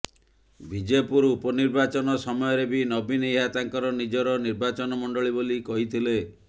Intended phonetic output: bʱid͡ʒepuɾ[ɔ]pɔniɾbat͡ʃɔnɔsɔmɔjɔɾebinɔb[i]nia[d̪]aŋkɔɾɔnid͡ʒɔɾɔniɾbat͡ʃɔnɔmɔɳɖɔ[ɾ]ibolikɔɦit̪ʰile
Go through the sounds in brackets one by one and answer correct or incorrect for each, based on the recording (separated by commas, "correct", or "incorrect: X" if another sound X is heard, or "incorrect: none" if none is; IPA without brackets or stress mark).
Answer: incorrect: u, correct, incorrect: t̪, incorrect: ɭ